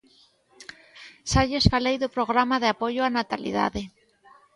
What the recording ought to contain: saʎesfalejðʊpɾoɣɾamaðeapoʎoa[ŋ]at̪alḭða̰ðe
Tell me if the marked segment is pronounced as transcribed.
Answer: no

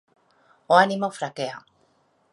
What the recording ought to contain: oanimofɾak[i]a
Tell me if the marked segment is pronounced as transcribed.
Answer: no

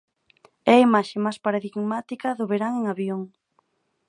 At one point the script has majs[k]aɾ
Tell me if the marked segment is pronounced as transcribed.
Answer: no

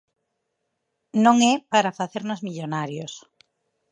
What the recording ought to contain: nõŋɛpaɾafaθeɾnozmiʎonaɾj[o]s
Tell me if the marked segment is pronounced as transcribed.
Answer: yes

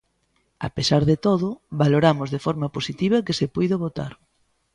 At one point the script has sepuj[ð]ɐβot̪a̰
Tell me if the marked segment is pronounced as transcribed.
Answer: yes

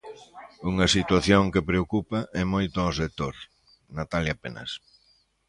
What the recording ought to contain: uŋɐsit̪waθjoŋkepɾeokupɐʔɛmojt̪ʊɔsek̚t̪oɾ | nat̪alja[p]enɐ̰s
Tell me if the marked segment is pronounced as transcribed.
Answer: yes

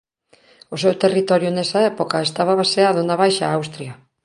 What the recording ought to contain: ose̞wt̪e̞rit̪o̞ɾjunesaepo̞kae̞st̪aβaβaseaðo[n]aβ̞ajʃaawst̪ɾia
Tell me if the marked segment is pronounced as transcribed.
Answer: yes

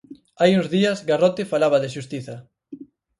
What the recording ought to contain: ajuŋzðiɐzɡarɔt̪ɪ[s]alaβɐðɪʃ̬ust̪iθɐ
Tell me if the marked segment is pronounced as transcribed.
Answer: no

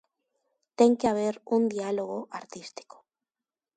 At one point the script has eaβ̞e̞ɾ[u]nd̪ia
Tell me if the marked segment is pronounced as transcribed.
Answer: yes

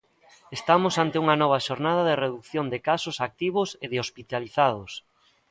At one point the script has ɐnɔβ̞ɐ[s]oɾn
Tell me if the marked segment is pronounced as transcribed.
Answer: no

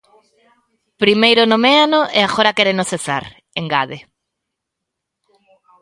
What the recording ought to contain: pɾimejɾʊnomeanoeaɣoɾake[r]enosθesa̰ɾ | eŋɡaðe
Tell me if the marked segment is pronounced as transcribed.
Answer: no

